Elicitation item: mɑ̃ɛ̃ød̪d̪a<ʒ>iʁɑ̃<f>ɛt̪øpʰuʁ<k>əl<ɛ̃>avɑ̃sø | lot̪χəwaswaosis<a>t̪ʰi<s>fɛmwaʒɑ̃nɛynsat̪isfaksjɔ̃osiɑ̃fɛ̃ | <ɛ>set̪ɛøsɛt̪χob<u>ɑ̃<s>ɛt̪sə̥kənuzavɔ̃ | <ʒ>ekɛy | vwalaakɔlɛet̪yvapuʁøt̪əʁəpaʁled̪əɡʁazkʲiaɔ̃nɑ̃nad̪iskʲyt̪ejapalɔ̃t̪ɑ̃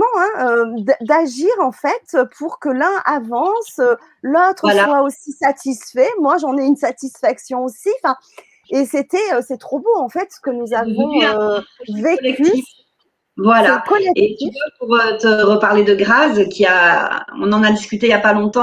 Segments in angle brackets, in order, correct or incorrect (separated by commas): correct, correct, correct, correct, correct, correct, incorrect, incorrect, incorrect, incorrect